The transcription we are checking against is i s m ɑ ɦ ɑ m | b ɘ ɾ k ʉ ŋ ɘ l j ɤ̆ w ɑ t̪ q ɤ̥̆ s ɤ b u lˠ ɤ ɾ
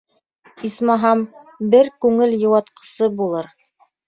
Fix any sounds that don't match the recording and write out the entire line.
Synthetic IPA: i s m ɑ ɦ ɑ m | b ɘ ɾ k ʉ ŋ ɘ l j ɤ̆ w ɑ t̪ q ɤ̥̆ s ɤ b u lˠ ɤ ɾ